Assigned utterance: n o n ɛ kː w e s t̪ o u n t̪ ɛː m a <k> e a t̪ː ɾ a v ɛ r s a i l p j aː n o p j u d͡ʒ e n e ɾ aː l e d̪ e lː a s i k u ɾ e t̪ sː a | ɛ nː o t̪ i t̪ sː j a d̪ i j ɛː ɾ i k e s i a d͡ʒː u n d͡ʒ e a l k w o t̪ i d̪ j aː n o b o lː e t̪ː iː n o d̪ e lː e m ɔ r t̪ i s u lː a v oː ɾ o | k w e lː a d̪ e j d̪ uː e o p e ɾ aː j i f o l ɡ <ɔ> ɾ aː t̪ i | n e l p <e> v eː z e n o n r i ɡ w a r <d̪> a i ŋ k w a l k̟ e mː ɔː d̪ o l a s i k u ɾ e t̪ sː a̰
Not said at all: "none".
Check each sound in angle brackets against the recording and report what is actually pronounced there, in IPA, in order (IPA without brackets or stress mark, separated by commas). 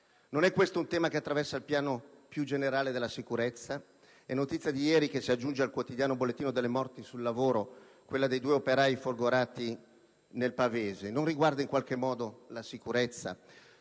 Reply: k, o, a, d̪